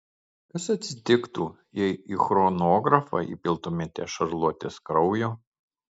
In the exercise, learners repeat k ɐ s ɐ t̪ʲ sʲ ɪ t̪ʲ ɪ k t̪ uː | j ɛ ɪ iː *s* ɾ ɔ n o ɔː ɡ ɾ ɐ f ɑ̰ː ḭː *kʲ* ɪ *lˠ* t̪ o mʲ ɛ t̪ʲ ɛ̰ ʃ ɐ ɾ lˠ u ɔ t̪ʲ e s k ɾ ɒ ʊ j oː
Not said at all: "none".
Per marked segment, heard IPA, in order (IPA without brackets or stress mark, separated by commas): x, pʲ, lˠ